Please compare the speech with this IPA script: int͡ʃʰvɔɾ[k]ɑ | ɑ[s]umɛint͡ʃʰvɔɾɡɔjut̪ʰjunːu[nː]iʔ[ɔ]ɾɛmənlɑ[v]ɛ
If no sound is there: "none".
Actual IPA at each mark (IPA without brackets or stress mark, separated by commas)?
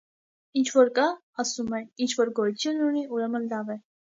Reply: k, s, n, u, v